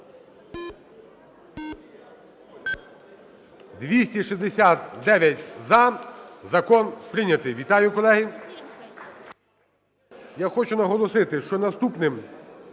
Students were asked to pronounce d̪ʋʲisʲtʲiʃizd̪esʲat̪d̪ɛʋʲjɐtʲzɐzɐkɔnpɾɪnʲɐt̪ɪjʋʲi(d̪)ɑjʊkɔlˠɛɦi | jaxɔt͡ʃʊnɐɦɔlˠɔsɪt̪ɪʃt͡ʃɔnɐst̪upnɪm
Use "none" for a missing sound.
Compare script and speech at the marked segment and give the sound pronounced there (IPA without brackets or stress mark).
t̪